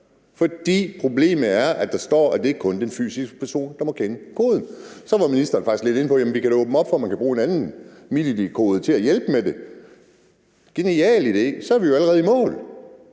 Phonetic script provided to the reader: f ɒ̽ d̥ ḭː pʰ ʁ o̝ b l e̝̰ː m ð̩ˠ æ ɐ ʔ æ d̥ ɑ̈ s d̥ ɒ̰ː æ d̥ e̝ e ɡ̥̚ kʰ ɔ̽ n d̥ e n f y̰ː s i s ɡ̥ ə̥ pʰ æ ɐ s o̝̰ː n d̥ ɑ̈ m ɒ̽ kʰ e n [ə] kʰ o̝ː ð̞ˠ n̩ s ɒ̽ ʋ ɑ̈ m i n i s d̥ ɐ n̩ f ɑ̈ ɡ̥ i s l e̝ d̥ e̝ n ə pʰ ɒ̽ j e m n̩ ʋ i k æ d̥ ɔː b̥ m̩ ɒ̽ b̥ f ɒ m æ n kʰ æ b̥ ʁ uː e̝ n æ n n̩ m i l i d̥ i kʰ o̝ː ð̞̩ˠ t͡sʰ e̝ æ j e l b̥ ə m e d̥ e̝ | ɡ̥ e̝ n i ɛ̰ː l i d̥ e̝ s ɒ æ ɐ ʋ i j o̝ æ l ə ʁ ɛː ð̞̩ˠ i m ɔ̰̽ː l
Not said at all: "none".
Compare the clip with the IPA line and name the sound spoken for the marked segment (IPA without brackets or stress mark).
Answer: ə